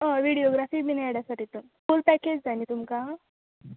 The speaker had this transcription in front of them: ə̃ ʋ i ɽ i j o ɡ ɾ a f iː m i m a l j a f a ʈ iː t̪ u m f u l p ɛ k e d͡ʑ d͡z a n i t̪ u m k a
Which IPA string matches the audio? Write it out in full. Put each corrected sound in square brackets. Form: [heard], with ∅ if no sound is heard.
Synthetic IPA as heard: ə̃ ʋ i ɽ i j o ɡ ɾ a f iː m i [n] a [ɽ] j a [s] a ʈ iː t̪ u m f u l p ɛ k e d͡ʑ d͡z a n i t̪ u m k a